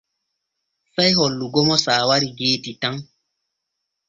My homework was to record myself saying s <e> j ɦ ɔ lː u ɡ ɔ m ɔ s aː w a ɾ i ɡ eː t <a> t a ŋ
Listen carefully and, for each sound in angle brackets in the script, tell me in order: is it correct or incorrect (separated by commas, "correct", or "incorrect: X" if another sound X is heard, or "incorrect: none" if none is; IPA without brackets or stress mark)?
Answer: incorrect: a, incorrect: i